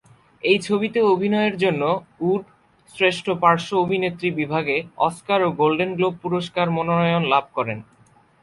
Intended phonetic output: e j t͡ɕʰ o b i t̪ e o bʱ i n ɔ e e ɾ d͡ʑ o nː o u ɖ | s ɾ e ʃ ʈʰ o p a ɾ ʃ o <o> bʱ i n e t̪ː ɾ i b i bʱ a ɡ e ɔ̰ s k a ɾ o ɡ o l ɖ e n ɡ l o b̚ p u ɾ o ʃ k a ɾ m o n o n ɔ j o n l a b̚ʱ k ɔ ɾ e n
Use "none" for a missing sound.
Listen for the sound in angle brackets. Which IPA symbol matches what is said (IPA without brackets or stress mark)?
o